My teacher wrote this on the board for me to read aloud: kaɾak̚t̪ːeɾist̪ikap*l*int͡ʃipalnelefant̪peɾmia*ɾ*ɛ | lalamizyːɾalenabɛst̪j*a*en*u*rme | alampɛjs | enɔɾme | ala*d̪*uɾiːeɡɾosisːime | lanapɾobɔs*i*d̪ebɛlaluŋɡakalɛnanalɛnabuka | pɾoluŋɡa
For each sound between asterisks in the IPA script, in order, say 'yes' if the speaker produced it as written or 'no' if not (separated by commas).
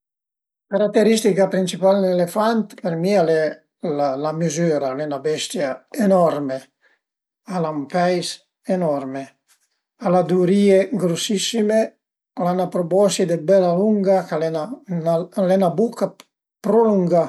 no, no, yes, no, yes, yes